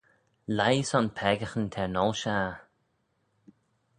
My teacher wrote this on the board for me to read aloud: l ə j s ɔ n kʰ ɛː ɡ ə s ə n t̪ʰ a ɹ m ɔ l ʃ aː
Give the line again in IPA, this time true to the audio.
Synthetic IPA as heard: l a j s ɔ n pʰ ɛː ɡ ə x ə n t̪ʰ ɛ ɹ n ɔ l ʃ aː